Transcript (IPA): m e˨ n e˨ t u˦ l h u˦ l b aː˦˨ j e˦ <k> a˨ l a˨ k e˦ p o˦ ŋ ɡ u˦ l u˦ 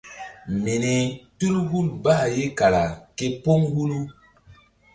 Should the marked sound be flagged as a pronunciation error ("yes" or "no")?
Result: no